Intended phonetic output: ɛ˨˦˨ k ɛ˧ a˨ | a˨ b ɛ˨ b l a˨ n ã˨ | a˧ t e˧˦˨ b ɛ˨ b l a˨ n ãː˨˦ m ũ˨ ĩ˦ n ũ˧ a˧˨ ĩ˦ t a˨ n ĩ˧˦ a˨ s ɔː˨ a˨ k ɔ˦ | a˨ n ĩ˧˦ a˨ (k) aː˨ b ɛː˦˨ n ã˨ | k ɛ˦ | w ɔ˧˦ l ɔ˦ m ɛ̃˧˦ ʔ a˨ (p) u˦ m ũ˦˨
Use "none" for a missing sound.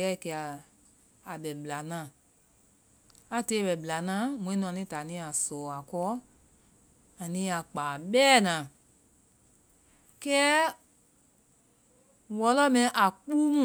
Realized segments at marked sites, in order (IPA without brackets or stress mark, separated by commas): k͡p, k͡p